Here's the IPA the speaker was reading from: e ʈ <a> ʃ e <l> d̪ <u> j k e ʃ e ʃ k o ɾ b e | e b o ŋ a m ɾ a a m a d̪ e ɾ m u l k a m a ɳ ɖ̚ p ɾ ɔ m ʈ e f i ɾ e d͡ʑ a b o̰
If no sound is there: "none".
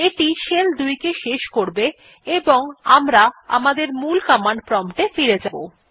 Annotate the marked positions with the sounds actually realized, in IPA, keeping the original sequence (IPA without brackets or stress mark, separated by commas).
i, l, u